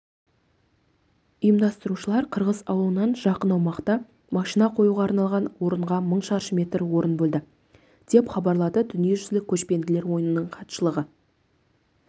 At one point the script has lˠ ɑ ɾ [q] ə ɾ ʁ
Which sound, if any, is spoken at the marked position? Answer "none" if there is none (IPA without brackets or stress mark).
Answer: qʰ